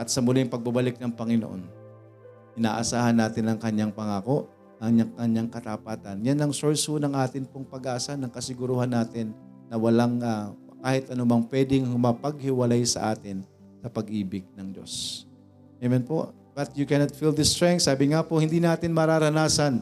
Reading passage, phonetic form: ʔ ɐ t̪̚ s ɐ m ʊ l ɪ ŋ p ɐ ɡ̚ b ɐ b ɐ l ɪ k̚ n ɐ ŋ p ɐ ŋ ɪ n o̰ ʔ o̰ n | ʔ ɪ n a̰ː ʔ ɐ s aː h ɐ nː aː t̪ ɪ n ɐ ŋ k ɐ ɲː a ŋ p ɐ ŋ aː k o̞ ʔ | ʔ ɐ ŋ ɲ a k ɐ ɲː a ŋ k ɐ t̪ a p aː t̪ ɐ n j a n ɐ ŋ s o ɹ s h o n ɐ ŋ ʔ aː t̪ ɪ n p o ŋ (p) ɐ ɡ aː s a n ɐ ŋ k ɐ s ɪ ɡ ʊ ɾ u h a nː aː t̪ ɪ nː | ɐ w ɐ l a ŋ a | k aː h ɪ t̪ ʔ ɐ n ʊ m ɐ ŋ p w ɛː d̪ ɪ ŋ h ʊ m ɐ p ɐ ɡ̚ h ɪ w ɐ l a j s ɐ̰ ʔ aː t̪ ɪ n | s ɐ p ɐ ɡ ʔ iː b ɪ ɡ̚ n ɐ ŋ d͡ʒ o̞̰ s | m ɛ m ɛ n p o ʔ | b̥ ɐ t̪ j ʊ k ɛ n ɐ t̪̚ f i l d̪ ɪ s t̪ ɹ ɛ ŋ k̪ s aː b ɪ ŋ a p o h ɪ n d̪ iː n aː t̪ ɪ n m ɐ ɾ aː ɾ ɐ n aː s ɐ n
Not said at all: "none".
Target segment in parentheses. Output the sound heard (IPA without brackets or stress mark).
p